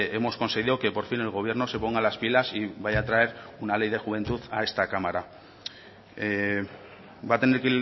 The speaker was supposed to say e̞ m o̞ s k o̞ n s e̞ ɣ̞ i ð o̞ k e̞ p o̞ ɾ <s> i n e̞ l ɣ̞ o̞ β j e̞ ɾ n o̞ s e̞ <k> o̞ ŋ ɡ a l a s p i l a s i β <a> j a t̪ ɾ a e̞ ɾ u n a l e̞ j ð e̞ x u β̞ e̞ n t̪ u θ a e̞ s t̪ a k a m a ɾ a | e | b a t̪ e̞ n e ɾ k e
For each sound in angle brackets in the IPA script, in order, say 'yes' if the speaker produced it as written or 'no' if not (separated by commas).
no, no, yes